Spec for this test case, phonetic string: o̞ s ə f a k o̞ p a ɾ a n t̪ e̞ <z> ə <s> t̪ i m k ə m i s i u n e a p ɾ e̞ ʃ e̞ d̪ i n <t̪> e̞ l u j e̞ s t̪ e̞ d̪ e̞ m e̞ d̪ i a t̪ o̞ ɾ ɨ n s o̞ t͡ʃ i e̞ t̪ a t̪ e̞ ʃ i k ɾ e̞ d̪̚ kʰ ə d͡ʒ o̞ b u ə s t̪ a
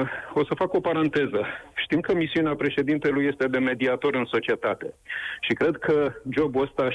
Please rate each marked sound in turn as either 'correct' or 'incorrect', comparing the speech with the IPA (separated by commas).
correct, incorrect, correct